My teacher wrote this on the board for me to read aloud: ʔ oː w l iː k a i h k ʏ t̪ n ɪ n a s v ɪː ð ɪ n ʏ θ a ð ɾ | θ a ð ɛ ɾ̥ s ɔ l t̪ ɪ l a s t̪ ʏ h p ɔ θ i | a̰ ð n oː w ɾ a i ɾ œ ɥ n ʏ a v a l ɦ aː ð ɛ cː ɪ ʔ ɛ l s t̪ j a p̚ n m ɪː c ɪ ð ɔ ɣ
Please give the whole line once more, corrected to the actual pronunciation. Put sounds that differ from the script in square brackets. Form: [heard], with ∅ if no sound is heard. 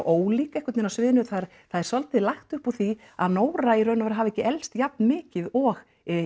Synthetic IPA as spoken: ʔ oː w l iː k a [ɛ] h k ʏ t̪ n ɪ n a s v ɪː ð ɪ n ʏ θ a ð ɾ | θ a ð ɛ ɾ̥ s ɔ l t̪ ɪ l a [x] t̪ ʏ h p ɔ θ i | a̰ ð n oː w ɾ a i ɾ œ ɥ n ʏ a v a [ɾ] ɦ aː [v] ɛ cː ɪ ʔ ɛ l s t̪ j a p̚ n m ɪː c ɪ ð ɔ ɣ